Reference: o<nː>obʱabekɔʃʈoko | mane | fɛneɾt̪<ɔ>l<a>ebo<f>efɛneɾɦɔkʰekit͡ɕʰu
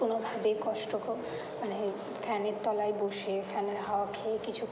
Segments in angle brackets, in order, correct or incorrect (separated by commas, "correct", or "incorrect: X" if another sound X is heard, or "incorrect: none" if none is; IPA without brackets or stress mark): incorrect: n, correct, correct, incorrect: ʃ